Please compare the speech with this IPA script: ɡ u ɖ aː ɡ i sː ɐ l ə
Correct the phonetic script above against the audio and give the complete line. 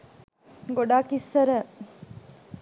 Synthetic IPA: ɡ o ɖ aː k i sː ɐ ɾ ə